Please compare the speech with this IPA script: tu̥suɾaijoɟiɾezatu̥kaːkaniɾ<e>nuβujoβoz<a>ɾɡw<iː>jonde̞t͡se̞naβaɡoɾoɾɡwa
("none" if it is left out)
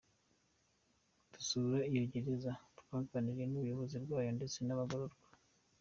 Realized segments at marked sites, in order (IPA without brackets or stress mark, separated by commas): e, i, aː